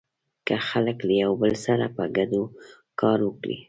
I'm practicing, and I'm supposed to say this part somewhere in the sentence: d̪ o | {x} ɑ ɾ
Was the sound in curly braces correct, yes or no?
no